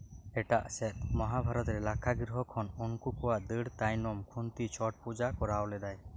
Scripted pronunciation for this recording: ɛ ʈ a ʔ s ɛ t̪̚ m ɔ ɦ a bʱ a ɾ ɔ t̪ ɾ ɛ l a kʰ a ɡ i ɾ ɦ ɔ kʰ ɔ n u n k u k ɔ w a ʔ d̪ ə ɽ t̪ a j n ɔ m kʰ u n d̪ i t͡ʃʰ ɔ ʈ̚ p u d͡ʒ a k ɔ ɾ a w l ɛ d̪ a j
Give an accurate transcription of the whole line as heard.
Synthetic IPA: ɛ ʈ a ʔ s ɛ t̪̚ m ɔ ɦ a bʱ a ɾ ɔ t̪ ɾ ɛ l a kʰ a ɡ i ɾ ɦ ɔ kʰ ɔ n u n k u k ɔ w a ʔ d̪ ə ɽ t̪ a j n ɔ m kʰ u n t̪ i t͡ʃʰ ɔ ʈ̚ p u d͡ʒ a k ɔ ɾ a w l ɛ d̪ a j